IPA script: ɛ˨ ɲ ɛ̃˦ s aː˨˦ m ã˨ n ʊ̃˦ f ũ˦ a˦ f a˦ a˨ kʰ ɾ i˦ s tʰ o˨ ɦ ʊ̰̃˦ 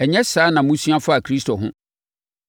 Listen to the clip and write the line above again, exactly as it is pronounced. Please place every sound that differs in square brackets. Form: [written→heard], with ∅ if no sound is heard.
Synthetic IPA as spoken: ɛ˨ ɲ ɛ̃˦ s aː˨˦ [m→n] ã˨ [n→m] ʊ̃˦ [f→s] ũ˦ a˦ f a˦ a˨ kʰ ɾ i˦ s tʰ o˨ ɦ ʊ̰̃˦